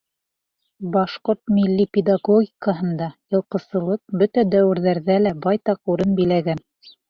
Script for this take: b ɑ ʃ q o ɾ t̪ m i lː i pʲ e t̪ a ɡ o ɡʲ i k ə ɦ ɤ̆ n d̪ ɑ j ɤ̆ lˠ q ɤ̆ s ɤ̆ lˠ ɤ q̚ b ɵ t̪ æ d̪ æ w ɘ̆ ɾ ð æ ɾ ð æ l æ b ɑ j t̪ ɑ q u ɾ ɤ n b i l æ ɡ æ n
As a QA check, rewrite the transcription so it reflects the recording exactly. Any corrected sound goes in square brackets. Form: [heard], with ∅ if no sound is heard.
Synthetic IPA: b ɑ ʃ q o ɾ t̪ m i lː i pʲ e [d̪] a ɡ o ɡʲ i k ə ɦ ɤ̆ n d̪ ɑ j ɤ̆ lˠ q ɤ̆ s ɤ̆ lˠ ɤ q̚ b ɵ t̪ æ d̪ æ w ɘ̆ ɾ ð æ ɾ ð æ l æ b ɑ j t̪ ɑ q u ɾ ɤ n b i l æ ɡ æ n